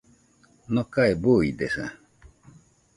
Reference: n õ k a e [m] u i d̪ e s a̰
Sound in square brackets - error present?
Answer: yes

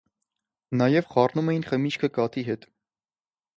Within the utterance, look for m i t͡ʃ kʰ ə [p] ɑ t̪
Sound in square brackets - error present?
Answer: yes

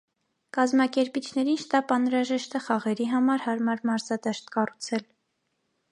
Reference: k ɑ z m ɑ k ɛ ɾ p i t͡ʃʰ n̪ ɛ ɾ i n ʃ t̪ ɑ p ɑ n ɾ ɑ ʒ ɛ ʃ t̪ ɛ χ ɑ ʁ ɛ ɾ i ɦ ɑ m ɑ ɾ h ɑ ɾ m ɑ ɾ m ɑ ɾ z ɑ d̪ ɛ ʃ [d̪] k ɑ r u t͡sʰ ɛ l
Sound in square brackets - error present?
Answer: yes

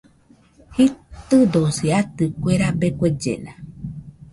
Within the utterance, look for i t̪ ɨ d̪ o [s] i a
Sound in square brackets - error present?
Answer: no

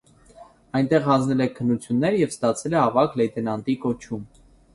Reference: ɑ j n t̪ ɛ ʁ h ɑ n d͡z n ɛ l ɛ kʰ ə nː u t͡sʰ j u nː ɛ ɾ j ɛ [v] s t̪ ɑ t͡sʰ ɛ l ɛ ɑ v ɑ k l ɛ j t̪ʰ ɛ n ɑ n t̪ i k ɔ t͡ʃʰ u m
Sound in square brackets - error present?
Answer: no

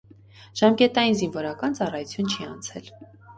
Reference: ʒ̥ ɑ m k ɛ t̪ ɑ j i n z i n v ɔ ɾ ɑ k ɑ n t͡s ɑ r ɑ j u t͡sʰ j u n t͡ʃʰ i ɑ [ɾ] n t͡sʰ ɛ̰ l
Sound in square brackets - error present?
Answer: yes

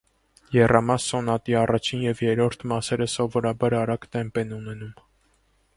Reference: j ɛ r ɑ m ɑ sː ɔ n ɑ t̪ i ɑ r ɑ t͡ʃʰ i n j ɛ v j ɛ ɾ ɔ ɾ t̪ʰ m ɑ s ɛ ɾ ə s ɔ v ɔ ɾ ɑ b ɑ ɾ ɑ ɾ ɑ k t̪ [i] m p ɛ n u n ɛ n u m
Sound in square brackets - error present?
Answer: yes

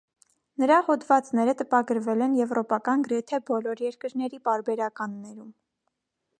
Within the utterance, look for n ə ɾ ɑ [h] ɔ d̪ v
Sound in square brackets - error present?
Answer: no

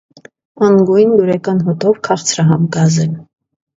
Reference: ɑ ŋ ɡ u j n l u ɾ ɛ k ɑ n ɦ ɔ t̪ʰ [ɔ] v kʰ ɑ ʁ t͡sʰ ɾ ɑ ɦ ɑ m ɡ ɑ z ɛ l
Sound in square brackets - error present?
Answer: no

